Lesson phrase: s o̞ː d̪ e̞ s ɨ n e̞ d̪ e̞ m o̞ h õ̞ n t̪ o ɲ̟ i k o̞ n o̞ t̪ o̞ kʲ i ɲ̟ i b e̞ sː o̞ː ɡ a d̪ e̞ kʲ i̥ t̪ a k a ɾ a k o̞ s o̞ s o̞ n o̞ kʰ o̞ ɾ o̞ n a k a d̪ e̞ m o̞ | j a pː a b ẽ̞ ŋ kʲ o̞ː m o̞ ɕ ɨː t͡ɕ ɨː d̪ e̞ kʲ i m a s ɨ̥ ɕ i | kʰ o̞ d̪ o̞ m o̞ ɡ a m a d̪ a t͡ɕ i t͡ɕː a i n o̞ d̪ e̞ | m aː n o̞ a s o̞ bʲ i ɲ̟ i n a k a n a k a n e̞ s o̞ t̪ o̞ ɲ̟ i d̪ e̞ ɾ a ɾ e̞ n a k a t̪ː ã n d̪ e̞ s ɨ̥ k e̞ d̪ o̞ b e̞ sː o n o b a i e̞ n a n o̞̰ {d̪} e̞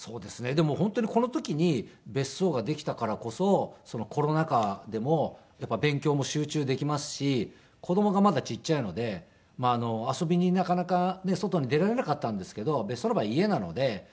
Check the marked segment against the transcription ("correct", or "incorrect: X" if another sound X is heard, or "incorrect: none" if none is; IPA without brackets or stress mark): correct